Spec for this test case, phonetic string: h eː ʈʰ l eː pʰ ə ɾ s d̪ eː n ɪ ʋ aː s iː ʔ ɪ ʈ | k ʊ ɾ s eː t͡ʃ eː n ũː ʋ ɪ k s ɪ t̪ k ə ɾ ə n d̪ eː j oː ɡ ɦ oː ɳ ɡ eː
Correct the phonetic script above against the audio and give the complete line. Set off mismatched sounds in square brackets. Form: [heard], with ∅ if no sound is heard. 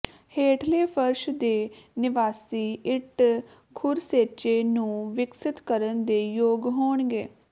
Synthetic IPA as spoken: h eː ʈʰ l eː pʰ ə ɾ [ʃ] d̪ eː n ɪ ʋ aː s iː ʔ ɪ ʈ | [kʰ] ʊ ɾ s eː t͡ʃ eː n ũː ʋ ɪ k s ɪ t̪ k ə ɾ ə n d̪ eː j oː ɡ ɦ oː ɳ ɡ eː